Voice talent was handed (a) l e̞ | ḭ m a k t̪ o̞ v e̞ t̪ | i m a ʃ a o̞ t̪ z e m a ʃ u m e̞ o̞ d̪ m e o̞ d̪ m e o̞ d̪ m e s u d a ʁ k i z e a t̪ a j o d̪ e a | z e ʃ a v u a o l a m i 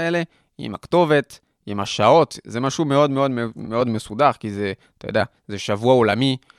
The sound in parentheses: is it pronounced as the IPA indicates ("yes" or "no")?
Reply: no